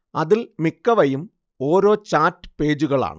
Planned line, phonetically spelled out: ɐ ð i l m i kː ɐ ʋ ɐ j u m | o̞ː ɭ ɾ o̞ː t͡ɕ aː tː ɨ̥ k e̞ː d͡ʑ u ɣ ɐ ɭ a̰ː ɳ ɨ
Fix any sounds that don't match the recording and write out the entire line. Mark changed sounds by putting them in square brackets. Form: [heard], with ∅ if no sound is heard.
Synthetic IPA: ɐ ð i l m i kː ɐ ʋ ɐ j u m | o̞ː [∅] ɾ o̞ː t͡ɕ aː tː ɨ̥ [p] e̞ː d͡ʑ u ɣ ɐ ɭ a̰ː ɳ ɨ